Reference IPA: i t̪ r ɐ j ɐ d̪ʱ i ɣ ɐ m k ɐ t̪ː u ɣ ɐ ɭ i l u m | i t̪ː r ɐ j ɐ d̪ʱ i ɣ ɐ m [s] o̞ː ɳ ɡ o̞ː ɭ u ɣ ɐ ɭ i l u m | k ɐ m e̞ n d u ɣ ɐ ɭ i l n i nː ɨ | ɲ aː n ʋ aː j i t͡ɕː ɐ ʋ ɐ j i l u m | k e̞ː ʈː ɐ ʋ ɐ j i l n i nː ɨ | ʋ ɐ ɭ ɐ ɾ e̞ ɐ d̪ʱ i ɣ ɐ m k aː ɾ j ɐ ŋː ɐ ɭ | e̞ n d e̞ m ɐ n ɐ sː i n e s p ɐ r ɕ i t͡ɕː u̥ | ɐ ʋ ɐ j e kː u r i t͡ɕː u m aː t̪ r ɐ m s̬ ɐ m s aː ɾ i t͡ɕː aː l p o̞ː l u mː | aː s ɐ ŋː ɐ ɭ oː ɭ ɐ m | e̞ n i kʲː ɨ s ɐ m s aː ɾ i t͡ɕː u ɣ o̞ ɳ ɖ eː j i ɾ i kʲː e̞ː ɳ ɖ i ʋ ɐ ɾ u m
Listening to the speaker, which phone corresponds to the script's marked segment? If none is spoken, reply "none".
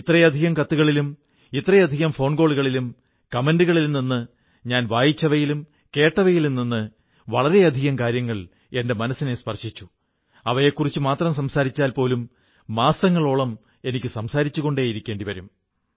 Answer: f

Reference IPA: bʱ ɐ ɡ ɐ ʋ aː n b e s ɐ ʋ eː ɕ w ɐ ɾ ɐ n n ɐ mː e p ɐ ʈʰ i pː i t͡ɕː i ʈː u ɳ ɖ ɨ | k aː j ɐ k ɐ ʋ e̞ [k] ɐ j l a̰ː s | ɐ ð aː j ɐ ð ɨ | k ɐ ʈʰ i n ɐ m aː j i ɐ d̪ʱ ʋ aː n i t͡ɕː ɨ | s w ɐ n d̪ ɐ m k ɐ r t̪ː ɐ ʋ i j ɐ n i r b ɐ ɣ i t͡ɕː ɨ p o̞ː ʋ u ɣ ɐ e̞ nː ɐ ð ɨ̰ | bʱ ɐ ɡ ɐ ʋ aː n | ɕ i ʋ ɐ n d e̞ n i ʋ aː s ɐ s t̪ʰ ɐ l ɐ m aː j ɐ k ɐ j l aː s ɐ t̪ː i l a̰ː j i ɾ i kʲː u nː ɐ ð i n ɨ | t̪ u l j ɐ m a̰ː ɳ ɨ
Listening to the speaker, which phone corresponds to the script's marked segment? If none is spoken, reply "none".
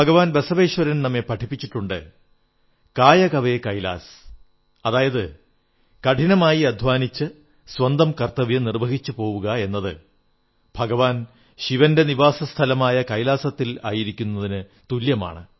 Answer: k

